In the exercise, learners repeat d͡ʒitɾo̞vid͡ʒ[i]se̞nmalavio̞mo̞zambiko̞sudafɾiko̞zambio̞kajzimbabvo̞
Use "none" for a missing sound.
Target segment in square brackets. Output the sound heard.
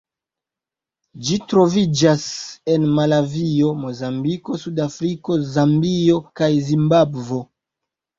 a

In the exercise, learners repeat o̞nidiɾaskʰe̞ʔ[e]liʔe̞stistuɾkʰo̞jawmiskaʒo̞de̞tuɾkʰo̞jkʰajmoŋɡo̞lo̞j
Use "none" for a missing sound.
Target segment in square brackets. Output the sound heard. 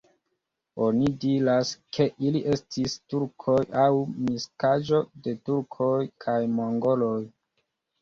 i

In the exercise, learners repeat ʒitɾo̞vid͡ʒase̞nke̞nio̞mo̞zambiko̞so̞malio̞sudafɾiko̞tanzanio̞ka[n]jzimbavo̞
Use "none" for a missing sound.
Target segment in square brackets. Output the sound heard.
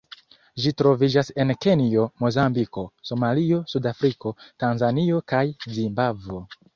none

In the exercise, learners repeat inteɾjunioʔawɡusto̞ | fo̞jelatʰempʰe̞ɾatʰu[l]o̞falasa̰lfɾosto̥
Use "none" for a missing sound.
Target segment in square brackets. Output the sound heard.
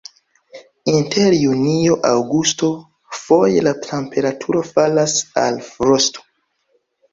ɾ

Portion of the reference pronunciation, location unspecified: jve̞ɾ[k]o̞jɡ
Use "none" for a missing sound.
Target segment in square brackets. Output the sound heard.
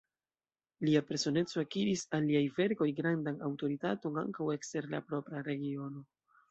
k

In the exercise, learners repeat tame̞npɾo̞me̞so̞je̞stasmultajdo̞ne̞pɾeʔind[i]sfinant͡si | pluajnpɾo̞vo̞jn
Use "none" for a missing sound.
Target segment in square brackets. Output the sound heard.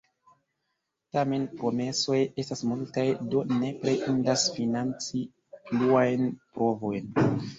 a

